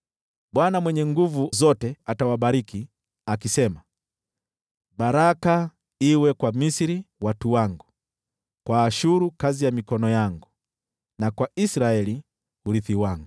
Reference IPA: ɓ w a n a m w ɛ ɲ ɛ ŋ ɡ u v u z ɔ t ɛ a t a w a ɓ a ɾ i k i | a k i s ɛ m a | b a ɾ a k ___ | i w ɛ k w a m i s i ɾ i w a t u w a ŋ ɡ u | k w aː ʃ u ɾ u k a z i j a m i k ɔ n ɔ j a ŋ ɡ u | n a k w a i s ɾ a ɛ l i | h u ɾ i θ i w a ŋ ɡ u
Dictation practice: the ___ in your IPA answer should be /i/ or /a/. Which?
a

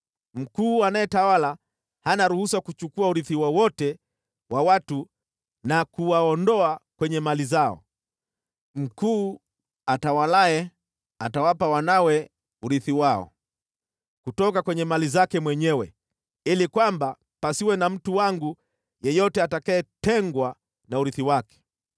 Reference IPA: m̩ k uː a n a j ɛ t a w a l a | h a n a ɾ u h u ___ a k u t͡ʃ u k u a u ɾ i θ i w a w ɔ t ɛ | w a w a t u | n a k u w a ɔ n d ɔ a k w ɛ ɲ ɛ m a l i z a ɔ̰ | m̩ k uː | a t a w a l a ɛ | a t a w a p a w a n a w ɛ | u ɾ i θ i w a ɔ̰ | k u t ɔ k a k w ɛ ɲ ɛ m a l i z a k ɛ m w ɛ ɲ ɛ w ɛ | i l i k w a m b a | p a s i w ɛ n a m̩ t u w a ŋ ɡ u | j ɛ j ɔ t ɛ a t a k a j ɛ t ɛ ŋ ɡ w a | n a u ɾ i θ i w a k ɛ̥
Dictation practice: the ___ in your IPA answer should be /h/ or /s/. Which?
s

